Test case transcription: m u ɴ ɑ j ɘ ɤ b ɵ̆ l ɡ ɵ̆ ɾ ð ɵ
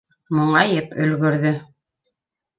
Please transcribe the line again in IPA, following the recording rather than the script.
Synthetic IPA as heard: m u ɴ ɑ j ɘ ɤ p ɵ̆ l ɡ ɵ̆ ɾ ð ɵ